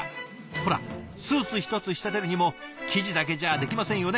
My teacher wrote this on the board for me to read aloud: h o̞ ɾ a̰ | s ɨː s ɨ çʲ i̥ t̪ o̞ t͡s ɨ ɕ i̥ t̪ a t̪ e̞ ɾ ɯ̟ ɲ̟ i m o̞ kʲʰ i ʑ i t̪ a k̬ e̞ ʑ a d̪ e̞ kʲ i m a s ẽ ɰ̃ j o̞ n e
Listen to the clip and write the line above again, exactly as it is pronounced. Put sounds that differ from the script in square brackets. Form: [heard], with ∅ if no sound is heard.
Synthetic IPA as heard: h o̞ ɾ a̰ | s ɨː [t͡s] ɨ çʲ i̥ t̪ o̞ t͡s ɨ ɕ i̥ t̪ a t̪ e̞ ɾ ɯ̟ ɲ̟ i m o̞ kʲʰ i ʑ i [d̪] a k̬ e̞ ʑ a d̪ e̞ kʲ i m a s ẽ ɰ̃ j o̞ n e

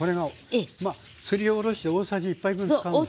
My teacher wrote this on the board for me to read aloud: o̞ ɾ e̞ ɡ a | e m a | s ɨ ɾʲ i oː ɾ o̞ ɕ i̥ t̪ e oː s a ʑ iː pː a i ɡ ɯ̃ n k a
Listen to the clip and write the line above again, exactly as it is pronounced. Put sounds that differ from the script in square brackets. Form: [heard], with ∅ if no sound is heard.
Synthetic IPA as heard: o̞ ɾ e̞ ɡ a | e m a | s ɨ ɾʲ i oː ɾ o̞ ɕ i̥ t̪ e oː s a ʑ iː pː a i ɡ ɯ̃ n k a

